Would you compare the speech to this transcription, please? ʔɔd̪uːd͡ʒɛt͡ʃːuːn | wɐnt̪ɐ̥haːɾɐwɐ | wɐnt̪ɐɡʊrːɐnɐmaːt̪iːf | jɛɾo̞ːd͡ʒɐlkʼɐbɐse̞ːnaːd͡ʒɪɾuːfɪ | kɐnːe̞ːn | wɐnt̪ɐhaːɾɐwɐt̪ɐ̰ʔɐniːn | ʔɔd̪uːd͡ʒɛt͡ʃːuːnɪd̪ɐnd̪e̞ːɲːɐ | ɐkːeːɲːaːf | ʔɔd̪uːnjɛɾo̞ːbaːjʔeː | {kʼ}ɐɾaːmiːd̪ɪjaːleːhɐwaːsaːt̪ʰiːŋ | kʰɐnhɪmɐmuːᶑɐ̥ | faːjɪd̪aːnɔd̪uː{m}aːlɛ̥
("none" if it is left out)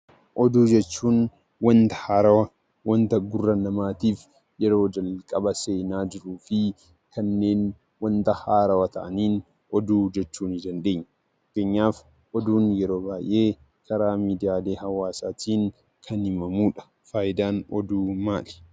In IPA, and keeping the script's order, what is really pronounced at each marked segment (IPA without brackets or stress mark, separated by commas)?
k, m